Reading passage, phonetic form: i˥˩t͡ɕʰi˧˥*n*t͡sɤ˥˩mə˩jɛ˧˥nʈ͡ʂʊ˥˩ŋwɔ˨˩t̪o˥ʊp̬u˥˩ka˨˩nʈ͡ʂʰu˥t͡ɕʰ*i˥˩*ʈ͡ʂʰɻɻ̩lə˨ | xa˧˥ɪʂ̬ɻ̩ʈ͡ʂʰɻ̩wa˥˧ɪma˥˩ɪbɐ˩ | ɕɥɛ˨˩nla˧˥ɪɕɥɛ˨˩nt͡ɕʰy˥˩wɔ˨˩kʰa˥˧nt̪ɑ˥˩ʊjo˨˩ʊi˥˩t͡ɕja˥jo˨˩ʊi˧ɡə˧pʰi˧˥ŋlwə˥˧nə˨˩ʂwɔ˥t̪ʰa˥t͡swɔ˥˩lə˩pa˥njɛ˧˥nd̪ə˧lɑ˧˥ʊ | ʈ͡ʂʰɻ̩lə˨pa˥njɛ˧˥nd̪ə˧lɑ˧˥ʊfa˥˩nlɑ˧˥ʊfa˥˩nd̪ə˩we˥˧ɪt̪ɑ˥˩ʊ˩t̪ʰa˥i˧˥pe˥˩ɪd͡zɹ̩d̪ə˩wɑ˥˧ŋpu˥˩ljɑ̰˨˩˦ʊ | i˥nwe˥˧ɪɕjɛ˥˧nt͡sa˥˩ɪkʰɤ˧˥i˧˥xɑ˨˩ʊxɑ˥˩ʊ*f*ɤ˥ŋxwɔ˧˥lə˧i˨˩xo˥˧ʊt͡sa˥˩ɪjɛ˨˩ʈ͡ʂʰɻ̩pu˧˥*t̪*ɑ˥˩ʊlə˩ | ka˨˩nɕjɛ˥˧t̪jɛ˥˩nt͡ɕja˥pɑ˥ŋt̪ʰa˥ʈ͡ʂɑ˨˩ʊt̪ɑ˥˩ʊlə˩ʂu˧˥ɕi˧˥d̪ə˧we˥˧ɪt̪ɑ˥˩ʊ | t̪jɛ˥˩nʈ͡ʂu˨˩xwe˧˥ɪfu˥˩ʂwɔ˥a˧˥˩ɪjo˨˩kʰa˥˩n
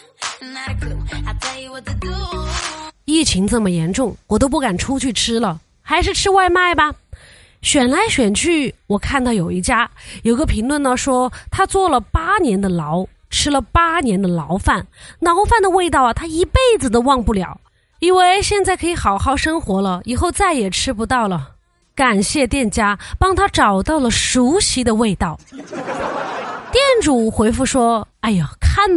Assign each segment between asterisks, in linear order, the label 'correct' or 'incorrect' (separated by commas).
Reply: incorrect, incorrect, incorrect, correct